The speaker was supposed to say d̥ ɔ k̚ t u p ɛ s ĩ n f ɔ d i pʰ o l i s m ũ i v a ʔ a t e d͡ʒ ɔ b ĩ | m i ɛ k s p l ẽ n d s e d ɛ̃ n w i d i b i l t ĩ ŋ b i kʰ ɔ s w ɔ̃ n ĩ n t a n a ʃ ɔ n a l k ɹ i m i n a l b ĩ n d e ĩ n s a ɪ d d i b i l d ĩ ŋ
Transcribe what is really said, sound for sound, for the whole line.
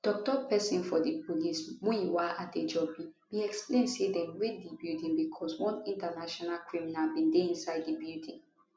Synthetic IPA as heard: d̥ ɔ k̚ t ɔ p ɛ s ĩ n f ɔ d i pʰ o l i s m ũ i w a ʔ a t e d͡ʒ ɔ b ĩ | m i ɛ k s p l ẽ n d s e d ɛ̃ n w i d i b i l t ĩ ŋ b i kʰ ɔ s w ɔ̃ n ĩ n t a n a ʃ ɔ n a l k ɹ i m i n a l b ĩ n d e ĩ n s a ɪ d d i b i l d ĩ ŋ